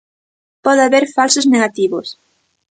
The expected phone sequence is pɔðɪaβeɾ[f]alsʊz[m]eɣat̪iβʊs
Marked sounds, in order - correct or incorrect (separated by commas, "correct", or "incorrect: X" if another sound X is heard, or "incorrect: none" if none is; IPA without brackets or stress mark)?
correct, incorrect: n